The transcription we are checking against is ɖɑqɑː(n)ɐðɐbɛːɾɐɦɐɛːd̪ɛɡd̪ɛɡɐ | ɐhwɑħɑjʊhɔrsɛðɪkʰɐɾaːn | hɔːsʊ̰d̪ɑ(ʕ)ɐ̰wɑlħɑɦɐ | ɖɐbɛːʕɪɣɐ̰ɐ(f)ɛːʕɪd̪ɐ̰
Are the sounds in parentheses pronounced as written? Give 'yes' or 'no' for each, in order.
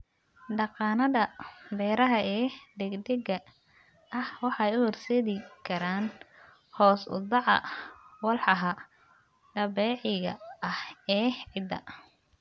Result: yes, yes, no

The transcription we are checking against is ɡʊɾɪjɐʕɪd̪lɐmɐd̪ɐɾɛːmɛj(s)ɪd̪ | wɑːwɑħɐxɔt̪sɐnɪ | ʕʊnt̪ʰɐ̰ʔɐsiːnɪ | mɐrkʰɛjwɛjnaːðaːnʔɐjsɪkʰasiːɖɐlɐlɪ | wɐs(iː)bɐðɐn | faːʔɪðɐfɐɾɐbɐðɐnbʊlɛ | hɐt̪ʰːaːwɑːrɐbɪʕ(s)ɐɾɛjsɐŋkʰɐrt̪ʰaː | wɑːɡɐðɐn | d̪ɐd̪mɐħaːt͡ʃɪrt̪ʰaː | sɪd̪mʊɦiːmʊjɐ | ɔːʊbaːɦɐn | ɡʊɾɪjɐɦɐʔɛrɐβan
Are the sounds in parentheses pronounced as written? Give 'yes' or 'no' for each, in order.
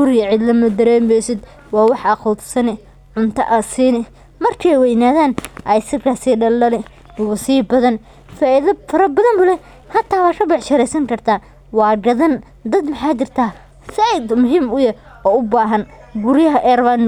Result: yes, yes, no

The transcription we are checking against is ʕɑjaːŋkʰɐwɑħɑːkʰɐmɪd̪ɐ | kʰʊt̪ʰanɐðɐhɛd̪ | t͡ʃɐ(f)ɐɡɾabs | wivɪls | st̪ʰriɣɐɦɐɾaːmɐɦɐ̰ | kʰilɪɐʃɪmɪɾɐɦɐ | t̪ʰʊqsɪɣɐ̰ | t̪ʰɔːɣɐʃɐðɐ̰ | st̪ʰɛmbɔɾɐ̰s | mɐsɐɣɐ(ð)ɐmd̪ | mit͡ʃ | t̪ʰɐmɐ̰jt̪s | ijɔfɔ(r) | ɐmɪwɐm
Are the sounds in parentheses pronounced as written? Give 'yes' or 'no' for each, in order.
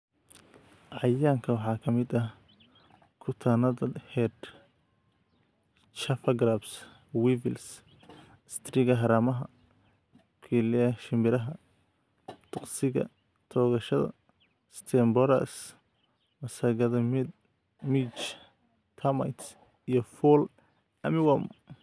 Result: yes, yes, no

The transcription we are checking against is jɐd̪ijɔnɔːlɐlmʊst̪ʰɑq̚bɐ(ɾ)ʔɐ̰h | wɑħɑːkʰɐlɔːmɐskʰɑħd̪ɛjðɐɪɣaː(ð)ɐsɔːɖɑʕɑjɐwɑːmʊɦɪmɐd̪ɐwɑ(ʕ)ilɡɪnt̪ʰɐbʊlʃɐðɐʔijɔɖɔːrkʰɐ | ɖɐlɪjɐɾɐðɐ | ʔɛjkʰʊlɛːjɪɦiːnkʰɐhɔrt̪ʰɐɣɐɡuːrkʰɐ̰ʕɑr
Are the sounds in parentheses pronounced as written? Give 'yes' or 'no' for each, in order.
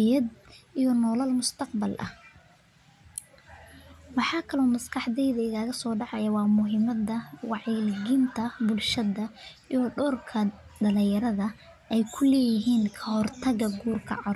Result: no, no, yes

